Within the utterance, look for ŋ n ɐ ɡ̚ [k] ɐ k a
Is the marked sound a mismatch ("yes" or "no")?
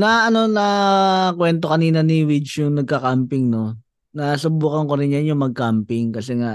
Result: no